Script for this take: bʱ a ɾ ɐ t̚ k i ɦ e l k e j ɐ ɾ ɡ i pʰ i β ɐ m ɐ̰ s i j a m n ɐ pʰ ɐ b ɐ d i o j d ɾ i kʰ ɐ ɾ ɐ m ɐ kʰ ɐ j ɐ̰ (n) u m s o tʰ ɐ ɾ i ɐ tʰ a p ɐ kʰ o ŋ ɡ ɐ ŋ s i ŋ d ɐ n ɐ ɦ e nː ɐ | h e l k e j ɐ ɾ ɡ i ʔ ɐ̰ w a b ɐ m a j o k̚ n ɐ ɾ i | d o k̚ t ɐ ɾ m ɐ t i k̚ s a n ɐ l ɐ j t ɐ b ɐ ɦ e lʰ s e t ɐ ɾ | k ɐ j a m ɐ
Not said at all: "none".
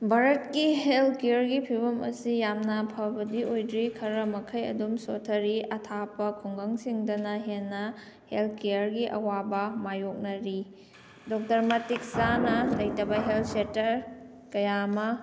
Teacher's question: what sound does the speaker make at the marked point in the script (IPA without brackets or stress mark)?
d